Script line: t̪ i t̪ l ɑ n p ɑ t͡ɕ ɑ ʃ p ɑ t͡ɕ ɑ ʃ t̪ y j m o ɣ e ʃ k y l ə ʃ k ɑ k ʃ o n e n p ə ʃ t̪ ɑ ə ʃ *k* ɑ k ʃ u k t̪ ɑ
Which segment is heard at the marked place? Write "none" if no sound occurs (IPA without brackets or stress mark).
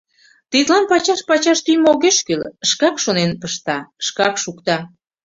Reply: k